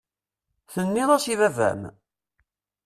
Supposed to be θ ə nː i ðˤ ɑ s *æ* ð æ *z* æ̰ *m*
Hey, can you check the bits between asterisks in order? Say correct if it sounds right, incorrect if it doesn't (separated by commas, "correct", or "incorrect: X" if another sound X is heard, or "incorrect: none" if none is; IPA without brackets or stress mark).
incorrect: i, incorrect: v, correct